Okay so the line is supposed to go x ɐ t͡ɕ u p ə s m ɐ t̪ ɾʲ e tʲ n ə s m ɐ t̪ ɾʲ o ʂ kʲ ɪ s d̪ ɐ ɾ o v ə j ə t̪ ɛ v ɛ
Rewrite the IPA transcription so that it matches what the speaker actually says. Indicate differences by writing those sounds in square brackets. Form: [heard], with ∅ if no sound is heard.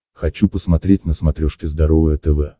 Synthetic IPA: x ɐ t͡ɕ u p ə s m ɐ t̪ ɾʲ e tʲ n ə s m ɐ t̪ ɾʲ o ʂ kʲ ɪ [z] d̪ ɐ ɾ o v ə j ə t̪ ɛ v ɛ

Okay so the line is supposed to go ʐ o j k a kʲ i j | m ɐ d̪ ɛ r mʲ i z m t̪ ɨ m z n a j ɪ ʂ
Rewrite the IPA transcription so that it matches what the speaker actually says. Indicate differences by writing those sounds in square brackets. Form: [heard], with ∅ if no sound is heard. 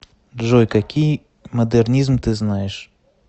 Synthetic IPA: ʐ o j k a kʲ i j | m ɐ d̪ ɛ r [nʲ] i z m t̪ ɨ [∅] z n a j ɪ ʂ

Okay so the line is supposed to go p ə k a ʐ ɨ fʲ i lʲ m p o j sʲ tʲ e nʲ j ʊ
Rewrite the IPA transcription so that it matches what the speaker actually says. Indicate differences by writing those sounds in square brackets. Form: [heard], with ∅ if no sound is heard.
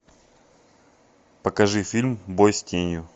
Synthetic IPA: p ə k [ɐ] ʐ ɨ fʲ i lʲ m [b] o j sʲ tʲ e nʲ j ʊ

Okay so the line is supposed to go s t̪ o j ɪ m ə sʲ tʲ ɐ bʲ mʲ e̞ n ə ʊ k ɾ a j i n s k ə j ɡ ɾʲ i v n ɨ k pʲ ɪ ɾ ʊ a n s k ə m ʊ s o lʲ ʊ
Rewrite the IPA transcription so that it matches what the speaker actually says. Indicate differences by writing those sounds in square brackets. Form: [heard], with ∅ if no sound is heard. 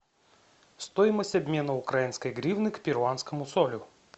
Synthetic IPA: s t̪ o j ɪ m ə sʲ tʲ ɐ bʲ mʲ e̞ n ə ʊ k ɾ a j i n s k ə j ɡ ɾʲ i v n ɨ k pʲ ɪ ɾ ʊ a n s k ə m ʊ s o lʲ ʊ

